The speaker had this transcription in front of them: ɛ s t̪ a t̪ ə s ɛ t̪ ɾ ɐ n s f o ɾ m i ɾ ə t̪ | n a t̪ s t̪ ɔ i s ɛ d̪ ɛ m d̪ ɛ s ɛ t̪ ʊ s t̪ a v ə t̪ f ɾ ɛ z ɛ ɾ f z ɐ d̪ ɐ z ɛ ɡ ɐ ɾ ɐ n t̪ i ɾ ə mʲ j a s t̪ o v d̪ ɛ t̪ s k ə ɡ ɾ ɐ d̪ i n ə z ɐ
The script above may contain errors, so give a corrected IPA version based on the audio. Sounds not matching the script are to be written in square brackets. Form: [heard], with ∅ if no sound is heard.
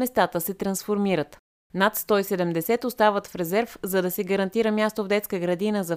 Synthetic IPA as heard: ɛ s t̪ a t̪ ə s ɛ t̪ ɾ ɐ n s f o ɾ m i ɾ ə t̪ | n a t̪ s t̪ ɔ i s ɛ d̪ ɛ m d̪ ɛ s ɛ t̪ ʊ s t̪ a v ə t̪ f ɾ ɛ z ɛ ɾ f z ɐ d̪ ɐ [s] ɛ ɡ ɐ ɾ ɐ n t̪ i ɾ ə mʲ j a s t̪ o v d̪ ɛ t̪ s k ə ɡ ɾ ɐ d̪ i n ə z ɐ